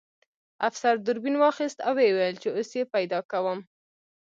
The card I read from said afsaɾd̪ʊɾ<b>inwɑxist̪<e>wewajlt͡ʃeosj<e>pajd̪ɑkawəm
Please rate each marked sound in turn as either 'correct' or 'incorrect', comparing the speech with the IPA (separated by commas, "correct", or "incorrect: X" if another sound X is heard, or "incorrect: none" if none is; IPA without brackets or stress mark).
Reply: correct, incorrect: a, correct